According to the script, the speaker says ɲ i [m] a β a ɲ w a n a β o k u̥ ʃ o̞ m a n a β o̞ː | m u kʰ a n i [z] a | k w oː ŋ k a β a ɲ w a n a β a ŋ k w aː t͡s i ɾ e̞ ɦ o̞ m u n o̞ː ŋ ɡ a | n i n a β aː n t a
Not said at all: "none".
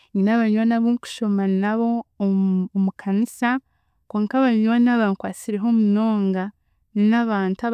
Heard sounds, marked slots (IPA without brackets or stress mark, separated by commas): n, s